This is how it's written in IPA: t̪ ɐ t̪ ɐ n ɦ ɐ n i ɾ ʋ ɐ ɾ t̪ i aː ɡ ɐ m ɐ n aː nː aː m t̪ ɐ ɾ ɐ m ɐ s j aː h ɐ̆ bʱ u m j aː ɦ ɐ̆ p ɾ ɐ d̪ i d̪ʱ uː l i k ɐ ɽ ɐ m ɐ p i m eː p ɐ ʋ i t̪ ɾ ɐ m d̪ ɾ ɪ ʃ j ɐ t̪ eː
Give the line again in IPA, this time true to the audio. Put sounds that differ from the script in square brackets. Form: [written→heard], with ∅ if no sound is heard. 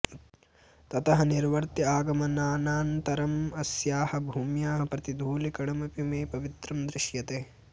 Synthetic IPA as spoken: t̪ ɐ t̪ ɐ [n→∅] ɦ ɐ n i ɾ ʋ ɐ ɾ t̪ i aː ɡ ɐ m ɐ n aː [nː→n] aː [m→n] t̪ ɐ ɾ ɐ m ɐ s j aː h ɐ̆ bʱ [u→uː] m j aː ɦ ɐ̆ p ɾ ɐ [d̪→t̪] i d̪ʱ uː l i k ɐ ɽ ɐ m ɐ p i m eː p ɐ ʋ i t̪ ɾ ɐ m d̪ ɾ ɪ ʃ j ɐ t̪ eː